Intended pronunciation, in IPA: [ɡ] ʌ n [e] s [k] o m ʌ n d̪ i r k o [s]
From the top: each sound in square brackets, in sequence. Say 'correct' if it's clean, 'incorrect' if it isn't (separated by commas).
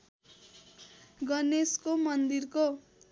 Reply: correct, correct, correct, incorrect